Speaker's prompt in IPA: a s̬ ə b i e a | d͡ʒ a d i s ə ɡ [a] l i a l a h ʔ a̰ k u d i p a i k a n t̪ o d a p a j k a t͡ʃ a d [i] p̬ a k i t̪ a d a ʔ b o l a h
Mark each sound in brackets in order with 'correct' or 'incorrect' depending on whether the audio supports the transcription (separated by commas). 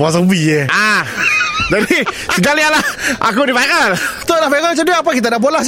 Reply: correct, incorrect